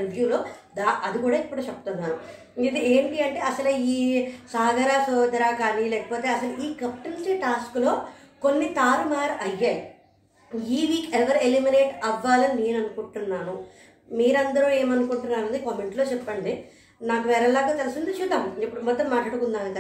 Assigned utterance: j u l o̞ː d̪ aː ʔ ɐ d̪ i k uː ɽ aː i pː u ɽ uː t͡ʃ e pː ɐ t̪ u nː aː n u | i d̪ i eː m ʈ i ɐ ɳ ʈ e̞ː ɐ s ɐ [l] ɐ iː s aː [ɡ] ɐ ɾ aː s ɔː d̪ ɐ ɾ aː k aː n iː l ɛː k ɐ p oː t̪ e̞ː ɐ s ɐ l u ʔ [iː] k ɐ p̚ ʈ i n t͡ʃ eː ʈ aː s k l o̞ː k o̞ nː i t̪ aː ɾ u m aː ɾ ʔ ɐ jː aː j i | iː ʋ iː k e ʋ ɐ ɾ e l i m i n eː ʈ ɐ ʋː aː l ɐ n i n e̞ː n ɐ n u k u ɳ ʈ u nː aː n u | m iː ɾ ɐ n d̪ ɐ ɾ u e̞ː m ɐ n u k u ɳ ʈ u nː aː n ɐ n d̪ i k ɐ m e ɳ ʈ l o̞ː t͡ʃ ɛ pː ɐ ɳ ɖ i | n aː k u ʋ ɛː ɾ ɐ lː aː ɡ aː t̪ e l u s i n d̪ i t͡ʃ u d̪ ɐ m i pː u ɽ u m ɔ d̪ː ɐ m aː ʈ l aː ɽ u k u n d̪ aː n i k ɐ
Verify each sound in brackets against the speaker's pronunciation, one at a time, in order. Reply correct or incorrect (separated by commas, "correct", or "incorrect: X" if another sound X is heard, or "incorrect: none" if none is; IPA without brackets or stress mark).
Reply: correct, correct, correct